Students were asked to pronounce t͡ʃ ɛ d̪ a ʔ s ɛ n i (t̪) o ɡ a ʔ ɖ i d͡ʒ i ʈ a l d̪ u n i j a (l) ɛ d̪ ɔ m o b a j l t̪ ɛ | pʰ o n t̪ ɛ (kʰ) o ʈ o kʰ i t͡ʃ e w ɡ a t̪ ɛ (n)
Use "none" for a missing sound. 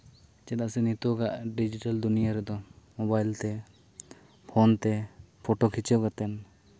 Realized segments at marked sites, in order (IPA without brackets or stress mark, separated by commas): t̪, ɾ, pʰ, n